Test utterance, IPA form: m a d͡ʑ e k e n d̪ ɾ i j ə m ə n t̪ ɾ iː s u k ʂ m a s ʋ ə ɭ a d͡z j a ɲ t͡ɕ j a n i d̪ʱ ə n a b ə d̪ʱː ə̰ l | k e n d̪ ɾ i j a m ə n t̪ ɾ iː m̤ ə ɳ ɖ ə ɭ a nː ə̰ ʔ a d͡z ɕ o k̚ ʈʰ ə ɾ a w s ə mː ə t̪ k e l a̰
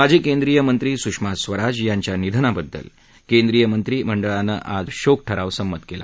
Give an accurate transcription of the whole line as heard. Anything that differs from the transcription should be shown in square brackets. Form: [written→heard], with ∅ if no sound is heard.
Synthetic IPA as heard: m a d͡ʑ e k e n d̪ ɾ i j ə m ə n t̪ ɾ iː s u k ʂ m a s ʋ ə [ɭ→ɾ] a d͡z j a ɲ t͡ɕ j a n i d̪ʱ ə n a b ə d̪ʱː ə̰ l | k e n d̪ ɾ i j [a→ə] m ə n t̪ ɾ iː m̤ ə ɳ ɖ ə ɭ a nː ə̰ ʔ a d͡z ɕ o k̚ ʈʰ ə ɾ a [w→ʋ] s ə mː ə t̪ k e l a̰

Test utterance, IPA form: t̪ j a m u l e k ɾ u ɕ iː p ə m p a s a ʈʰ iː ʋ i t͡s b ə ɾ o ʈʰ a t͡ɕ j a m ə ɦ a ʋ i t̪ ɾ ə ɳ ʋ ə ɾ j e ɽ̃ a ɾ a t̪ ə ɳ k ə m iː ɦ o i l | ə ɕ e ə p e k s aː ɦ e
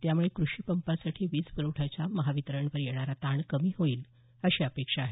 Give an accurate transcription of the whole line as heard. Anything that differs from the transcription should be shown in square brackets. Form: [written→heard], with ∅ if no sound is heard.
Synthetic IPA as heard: t̪ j a m u [l→ɭ] e k ɾ u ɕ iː p ə m p a s a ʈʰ iː ʋ [i→iː] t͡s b ə ɾ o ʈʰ a t͡ɕ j a m ə ɦ a ʋ i t̪ ɾ ə ɳ ʋ ə ɾ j e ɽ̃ a ɾ a t̪ [ə→a] ɳ k ə m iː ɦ o [i→iː] l | ə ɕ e ə p e k [s→ʂ] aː ɦ e

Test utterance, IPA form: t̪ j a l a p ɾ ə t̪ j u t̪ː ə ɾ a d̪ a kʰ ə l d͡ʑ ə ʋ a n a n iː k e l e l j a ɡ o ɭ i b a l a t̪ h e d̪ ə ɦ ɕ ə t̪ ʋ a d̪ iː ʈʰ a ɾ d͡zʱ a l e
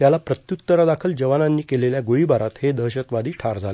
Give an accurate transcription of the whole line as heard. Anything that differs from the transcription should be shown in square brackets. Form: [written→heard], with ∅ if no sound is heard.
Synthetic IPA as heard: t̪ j a l a p ɾ ə t̪ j u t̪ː ə ɾ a d̪ a kʰ ə l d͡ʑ ə ʋ a n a [n→nː] iː k e l e l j a ɡ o ɭ i b a [l→ɾ] a t̪ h e d̪ ə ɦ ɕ ə t̪ ʋ a d̪ iː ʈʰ a ɾ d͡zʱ a l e

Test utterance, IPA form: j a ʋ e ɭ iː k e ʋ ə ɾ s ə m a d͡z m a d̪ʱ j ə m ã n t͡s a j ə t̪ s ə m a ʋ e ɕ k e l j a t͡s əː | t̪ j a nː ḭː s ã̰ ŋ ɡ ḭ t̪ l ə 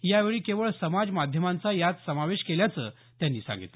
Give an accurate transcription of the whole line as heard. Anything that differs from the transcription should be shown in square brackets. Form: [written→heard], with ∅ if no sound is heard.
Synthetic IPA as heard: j a ʋ e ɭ iː k e ʋ ə [ɾ→ɭ] s ə m a d͡z m a d̪ʱ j ə m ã n t͡s a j [ə→a] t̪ s ə m a ʋ e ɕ k e l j a t͡s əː | t̪ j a nː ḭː s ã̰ ŋ ɡ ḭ t̪ l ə

